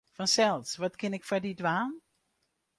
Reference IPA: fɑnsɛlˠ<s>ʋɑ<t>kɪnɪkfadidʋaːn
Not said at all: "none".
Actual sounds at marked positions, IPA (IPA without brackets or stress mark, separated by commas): s, t